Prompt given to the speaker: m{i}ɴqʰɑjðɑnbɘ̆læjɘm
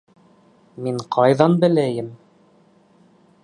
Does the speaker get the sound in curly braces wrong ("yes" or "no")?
no